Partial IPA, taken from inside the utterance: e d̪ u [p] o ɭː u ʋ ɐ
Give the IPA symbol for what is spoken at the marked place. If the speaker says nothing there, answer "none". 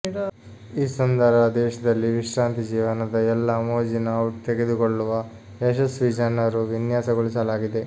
k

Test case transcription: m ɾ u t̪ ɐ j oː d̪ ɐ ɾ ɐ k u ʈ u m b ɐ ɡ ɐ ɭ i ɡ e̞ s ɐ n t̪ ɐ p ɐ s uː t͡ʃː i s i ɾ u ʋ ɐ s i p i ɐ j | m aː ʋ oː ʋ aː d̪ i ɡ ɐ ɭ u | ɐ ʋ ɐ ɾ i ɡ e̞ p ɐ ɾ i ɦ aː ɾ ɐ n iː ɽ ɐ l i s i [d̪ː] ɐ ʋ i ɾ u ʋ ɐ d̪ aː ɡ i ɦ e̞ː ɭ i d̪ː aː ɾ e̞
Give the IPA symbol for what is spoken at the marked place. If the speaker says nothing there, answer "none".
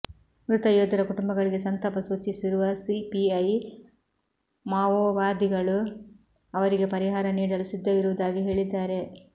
d̪ː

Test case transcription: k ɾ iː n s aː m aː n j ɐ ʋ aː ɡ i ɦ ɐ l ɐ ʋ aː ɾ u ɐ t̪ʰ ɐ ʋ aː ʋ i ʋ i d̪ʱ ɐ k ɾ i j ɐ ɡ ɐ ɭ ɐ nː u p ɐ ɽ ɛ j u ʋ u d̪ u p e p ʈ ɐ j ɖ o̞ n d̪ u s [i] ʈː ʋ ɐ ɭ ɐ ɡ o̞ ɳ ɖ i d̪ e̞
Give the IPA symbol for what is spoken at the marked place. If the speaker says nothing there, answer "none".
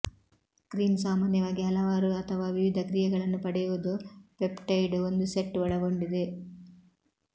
e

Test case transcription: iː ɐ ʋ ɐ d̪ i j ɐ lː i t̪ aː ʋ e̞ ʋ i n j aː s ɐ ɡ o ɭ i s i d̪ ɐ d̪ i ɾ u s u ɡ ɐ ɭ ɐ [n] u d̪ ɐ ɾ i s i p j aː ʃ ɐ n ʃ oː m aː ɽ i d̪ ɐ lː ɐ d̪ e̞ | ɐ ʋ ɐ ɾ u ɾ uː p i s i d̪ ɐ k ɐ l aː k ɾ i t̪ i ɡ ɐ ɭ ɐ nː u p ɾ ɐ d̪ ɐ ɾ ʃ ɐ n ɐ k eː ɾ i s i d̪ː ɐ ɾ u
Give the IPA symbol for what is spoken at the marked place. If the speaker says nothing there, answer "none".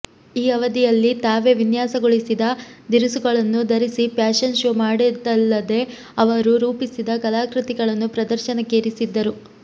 nː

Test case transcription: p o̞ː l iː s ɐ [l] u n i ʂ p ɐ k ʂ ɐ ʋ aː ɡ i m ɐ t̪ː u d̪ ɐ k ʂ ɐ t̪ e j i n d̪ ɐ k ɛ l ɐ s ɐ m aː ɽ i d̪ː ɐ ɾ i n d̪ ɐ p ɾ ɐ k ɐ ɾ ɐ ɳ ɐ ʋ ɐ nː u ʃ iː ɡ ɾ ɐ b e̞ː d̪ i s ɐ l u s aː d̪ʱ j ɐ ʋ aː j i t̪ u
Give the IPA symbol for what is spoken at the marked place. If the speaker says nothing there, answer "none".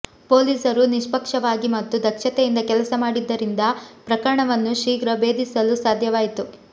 ɾ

